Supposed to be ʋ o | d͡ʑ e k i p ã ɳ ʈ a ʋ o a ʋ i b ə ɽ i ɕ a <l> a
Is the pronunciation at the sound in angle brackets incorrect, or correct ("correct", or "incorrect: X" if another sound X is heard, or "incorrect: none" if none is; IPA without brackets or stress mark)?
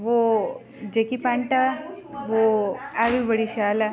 correct